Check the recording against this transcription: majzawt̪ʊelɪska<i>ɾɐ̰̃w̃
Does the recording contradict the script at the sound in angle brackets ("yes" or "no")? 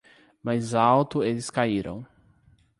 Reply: no